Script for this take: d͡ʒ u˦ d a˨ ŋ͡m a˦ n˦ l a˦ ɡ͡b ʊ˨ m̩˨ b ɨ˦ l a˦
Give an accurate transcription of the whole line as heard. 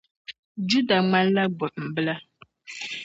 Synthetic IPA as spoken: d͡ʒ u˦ d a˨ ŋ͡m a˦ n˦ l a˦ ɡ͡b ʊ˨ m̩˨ b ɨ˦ l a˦